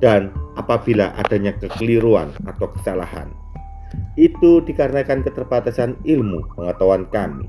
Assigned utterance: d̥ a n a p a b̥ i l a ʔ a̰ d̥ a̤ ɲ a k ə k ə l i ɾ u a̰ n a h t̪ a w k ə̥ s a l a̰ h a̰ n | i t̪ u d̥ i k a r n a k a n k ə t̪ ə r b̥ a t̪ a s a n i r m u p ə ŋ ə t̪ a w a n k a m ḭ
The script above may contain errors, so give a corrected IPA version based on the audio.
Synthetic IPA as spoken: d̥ a n a p a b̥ i l a ʔ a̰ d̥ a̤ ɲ a k ə k ə l i ɾ u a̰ n a t̪ a w k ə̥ s a l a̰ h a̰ n | i t̪ u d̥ i k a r n a k a n k ə t̪ ə r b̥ a t̪ a s a n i l m u p ə ŋ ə t̪ a w a n k a m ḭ